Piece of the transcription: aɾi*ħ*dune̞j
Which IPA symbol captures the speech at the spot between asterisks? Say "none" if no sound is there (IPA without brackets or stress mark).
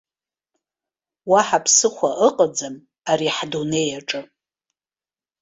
ħ